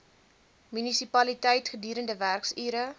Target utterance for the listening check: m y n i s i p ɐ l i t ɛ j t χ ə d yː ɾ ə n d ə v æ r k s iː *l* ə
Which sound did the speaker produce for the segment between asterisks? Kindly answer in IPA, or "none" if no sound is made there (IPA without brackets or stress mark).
ɾ